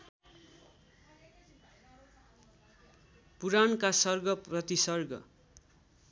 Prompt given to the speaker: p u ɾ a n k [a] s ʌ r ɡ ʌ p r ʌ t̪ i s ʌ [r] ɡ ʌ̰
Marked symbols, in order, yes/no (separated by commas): yes, yes